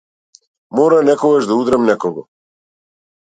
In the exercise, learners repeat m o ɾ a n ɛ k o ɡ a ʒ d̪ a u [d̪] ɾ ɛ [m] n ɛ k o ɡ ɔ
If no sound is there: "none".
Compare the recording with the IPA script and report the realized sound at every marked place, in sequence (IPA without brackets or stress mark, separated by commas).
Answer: d̪, m